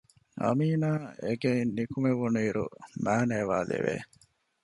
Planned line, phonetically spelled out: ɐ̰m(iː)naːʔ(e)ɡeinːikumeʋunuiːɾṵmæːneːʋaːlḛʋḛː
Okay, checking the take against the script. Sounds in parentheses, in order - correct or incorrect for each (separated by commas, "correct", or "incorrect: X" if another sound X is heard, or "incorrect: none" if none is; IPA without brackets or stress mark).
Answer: correct, correct